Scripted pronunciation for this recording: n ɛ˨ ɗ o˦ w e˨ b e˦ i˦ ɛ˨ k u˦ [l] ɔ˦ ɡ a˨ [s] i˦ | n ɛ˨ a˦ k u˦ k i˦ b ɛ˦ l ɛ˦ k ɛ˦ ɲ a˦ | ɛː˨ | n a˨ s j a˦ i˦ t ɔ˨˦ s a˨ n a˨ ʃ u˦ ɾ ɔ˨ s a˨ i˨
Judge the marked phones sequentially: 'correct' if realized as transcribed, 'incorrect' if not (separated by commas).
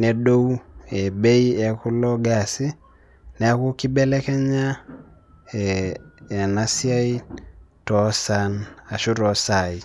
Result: correct, correct